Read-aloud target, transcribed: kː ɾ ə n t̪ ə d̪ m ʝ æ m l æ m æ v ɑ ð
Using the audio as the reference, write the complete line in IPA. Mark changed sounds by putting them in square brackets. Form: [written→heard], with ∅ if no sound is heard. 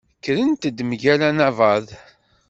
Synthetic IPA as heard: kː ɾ ə n t̪ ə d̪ m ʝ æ [m→∅] l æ [m→n] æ v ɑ ð